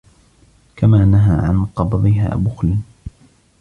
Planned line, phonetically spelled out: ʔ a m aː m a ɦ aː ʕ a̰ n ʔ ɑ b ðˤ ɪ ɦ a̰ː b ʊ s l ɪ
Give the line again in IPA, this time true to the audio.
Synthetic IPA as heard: k a m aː n a ɦ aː ʕ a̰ n q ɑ b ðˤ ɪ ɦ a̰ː b ʊ x l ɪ

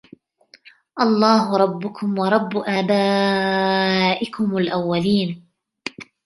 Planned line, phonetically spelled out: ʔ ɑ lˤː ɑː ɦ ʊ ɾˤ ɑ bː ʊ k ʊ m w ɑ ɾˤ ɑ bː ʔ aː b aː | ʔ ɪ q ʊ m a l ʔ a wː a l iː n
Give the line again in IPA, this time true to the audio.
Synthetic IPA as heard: ʔ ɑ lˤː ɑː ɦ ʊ ɾˤ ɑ bː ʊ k ʊ m w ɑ ɾˤ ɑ bː ʔ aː b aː | ʔ ɪ k ʊ m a l ʔ a wː a l iː n

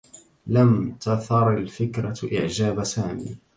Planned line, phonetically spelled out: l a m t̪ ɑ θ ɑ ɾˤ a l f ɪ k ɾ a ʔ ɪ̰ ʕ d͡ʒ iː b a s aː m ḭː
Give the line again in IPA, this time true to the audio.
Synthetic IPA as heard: l a m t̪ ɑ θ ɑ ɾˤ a l f ɪ k ɾ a ʔ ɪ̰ ʕ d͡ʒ aː b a s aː m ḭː

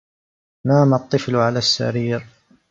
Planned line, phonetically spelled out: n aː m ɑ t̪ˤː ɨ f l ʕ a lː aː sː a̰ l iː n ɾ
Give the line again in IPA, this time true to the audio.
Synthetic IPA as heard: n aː m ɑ t̪ˤː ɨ f l ʕ a l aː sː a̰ ɾ iː ɾ

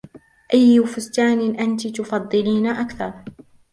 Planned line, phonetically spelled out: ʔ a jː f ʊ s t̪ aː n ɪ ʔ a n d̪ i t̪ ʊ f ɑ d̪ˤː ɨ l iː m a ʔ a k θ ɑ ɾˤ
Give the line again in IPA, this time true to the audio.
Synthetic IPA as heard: ʔ a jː f ʊ s t̪ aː n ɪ ʔ a n t̪ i t̪ ʊ f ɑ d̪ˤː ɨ l iː n a ʔ a k θ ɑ ɾˤ

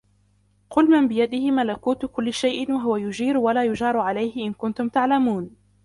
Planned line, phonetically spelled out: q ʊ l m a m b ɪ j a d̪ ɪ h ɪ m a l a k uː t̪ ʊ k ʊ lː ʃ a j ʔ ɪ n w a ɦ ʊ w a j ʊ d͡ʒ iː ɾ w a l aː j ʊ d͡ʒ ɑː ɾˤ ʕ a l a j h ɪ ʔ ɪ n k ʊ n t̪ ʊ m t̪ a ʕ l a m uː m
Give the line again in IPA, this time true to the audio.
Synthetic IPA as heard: q ʊ l m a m b ɪ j a d̪ ɪ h ɪ m a l a k uː t̪ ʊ k ʊ lː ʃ a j ʔ ɪ n w a ɦ ʊ w a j ʊ d͡ʒ iː ɾ w a l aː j ʊ d͡ʒ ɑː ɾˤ ʕ a l a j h ɪ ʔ ɪ n k ʊ n t̪ ʊ m t̪ a ʕ l a m uː n

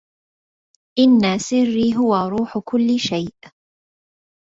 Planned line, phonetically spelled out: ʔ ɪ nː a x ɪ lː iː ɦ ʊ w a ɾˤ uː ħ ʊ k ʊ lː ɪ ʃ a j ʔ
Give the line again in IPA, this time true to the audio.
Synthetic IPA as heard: ʔ ɪ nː a s ɪ rː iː ɦ ʊ w a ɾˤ uː ħ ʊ k ʊ lː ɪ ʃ a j ʔ

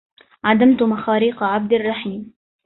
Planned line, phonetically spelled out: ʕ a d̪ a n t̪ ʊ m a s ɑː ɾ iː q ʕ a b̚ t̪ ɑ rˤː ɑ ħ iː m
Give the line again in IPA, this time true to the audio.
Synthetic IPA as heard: ʕ a d̪ a m t̪ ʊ m a x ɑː ɾ iː q ʕ a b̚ d̪ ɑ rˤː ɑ ħ iː m

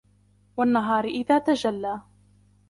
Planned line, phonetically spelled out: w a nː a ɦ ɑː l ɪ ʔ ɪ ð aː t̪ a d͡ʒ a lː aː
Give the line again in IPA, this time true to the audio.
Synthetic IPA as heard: w a nː a ɦ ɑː ɾ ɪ ʔ ɪ ð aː t̪ a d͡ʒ a lː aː

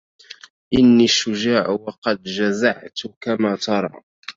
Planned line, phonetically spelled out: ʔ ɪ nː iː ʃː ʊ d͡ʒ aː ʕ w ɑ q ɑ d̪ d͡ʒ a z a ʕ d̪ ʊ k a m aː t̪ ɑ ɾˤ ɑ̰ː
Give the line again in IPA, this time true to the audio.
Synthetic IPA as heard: ʔ ɪ nː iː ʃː ʊ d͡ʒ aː ʕ w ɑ q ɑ d̪ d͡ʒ a z a ʕ t̪ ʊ k a m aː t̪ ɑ ɾˤ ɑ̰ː

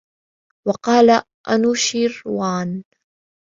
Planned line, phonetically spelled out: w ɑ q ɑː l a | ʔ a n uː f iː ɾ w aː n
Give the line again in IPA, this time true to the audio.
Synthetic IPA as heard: w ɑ q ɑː l a | ʔ a n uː ʃ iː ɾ w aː n

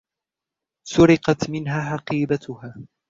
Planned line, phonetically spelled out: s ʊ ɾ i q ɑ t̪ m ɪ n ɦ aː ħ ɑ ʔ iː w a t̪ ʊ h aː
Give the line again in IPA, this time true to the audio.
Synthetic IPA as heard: s ʊ ɾ ɪ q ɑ t̪ m ɪ n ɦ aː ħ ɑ q iː b a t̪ ʊ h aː

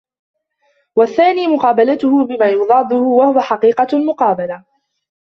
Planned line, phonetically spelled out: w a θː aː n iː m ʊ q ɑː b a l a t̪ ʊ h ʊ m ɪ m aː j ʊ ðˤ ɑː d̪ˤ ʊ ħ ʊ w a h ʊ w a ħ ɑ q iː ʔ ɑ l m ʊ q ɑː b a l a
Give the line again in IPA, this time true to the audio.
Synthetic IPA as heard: w a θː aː n iː m ʊ q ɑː b a l a t̪ ʊ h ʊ b ɪ m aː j ʊ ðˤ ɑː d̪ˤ ʊ h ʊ w a h ʊ w a ħ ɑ q iː q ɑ l m ʊ q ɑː b a l a

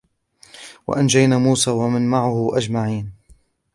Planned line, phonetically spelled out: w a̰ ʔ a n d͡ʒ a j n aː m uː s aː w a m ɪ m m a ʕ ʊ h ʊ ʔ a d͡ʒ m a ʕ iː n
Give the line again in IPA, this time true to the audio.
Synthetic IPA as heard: w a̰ ʔ a n d͡ʒ a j n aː m uː s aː w a m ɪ n m a ʕ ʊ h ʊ ʔ a d͡ʒ m a ʕ iː n

